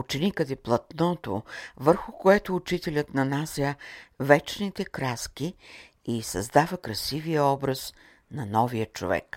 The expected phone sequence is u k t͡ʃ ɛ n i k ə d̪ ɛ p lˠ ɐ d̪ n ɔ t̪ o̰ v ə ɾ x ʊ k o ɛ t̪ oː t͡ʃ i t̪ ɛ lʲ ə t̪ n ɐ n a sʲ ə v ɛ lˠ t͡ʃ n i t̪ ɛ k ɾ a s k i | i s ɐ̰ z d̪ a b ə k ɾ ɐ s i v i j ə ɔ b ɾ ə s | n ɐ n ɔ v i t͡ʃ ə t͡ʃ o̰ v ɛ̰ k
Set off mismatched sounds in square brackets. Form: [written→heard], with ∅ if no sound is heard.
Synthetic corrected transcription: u [k→∅] t͡ʃ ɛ n i k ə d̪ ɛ p lˠ ɐ [d̪→t̪] n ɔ t̪ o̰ v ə ɾ x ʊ k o ɛ t̪ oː t͡ʃ i t̪ ɛ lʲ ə t̪ n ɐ n a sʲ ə v ɛ [lˠ→∅] t͡ʃ n i t̪ ɛ k ɾ a s k i | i s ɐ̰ z d̪ a [b→v] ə k ɾ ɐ s i v i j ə ɔ b ɾ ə s | n ɐ n ɔ v i [t͡ʃ→∅] ə t͡ʃ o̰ v ɛ̰ k